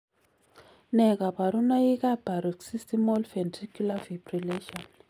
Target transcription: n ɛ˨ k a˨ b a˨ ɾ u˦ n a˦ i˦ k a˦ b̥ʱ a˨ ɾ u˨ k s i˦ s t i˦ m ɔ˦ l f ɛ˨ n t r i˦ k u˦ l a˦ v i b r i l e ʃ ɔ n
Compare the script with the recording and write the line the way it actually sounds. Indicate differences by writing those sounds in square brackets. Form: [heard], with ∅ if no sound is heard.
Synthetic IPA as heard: n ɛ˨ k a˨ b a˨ ɾ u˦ n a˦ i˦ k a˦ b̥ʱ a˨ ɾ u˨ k s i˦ s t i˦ m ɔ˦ l f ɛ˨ n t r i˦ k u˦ l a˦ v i b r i l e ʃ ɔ n